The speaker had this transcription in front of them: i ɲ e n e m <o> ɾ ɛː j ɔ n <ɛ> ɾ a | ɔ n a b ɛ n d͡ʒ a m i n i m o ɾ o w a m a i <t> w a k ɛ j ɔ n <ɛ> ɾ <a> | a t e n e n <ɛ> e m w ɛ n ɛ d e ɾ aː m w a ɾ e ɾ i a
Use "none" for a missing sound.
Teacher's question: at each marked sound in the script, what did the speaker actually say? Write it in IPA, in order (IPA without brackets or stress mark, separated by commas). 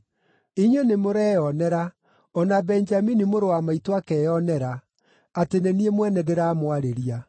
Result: o, ɛ, t, ɛ, a, i